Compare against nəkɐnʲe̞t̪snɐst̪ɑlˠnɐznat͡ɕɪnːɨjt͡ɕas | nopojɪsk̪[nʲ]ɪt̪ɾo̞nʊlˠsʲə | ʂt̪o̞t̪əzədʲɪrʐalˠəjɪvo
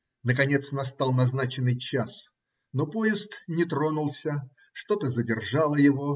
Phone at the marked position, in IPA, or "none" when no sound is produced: nʲ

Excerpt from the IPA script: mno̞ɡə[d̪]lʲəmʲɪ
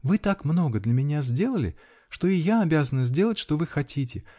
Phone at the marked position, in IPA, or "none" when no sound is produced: d̪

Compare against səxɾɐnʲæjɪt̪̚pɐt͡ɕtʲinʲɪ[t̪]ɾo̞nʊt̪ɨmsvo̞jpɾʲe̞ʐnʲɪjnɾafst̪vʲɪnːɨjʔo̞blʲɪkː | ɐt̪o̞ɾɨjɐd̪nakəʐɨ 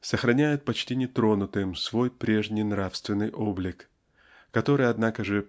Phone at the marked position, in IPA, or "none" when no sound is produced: t̪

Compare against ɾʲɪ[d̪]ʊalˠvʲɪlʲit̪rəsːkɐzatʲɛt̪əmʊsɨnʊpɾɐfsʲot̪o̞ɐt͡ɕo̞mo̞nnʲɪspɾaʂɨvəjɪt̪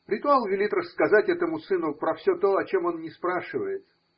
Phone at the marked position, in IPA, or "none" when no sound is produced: t̪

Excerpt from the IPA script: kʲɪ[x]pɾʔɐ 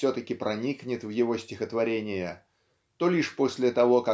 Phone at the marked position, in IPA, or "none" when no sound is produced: none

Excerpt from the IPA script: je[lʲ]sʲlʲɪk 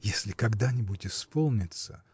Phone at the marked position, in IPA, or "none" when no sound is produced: none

